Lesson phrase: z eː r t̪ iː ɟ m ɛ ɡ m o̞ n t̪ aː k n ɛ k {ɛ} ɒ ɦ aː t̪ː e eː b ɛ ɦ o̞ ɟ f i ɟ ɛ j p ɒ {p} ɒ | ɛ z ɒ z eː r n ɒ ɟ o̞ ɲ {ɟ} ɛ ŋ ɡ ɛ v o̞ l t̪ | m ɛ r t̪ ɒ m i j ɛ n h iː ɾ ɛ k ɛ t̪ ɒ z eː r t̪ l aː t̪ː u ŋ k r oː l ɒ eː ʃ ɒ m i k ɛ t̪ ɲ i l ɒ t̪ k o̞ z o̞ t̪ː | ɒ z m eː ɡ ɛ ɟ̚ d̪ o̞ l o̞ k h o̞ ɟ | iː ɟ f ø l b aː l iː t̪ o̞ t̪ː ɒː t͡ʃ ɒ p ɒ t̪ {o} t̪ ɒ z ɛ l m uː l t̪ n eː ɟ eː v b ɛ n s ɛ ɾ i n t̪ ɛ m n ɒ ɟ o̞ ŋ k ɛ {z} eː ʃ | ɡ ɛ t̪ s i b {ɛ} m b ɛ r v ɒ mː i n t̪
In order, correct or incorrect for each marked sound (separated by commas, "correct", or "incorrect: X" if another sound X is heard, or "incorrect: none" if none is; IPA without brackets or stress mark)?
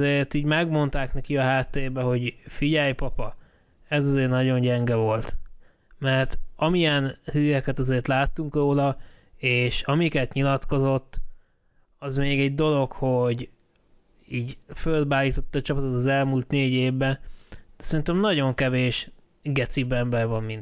incorrect: i, correct, correct, correct, incorrect: v, correct